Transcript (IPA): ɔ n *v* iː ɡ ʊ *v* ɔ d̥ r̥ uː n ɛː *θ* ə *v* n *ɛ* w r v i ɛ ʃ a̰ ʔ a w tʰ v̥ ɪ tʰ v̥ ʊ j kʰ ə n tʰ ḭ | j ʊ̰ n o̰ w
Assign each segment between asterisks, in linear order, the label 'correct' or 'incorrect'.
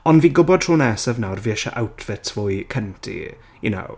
correct, incorrect, incorrect, correct, incorrect

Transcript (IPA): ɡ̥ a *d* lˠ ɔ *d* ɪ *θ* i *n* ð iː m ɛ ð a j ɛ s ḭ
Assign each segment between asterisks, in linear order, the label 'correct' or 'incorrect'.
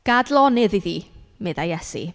correct, incorrect, incorrect, incorrect

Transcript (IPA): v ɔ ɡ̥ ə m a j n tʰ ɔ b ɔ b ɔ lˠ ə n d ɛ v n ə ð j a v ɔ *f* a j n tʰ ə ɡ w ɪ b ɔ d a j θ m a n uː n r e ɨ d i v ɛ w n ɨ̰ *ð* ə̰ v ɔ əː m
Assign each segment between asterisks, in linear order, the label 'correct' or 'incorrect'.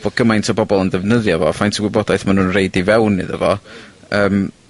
correct, correct

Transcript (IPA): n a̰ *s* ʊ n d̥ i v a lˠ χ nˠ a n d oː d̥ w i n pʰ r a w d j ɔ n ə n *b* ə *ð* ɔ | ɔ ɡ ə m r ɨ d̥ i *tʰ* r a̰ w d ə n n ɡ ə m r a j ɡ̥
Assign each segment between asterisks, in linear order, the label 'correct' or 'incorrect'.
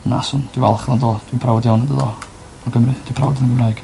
correct, incorrect, correct, incorrect

